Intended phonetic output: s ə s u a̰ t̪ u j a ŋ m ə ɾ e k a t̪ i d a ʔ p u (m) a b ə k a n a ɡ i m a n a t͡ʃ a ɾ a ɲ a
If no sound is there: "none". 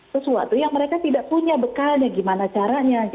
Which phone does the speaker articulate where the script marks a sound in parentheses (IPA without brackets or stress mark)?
ɲ